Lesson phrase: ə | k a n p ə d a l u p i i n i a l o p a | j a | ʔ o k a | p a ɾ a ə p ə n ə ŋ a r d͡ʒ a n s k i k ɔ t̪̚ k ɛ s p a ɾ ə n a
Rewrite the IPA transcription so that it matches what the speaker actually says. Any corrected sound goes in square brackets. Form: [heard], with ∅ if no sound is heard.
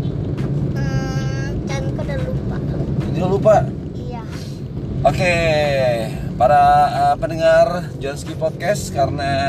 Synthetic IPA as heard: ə | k a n [k] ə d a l u p [a] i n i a l [u] p a | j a | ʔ o k [e] | p a ɾ a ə p ə n ə ŋ a r d͡ʒ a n s k i [p] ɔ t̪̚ k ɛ s [k] a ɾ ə n a